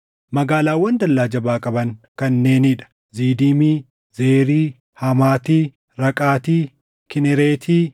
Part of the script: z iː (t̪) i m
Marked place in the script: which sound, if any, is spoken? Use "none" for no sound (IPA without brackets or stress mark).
d̪